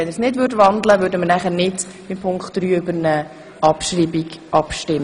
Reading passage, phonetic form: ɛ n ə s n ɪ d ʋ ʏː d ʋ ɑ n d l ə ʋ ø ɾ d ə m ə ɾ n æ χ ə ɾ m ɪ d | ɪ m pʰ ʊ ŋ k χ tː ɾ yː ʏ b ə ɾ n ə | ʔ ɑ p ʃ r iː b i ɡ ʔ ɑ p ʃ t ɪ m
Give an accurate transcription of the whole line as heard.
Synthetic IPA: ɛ n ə s n ɪ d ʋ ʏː d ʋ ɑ n d l ə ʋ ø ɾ d ə m ə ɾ n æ χ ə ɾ n ɪ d | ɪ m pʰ ʊ ŋ k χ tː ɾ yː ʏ b ə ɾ n ə | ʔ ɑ p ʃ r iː b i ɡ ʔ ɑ p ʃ t ɪ m